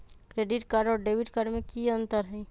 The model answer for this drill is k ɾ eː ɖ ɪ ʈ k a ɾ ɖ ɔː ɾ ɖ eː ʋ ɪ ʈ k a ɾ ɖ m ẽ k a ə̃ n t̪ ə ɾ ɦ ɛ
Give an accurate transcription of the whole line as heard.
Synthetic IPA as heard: k ɾ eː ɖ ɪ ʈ k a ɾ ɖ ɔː ɾ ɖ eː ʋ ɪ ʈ k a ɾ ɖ m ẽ k i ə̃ n t̪ ə ɾ ɦ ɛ